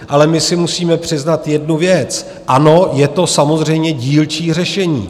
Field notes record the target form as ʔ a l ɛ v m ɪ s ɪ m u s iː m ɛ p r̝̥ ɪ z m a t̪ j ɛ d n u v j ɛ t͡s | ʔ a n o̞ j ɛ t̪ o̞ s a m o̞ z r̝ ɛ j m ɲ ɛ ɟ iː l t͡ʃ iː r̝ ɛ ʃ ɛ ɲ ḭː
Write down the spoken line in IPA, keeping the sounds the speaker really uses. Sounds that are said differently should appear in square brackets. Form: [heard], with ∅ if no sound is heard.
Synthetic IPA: ʔ a l ɛ [∅] m ɪ s ɪ m u s iː m ɛ p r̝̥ ɪ z [n] a t̪ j ɛ d n u v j ɛ t͡s | ʔ a n o̞ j ɛ t̪ o̞ s a m o̞ z r̝ ɛ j m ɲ ɛ ɟ iː l t͡ʃ iː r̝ ɛ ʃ ɛ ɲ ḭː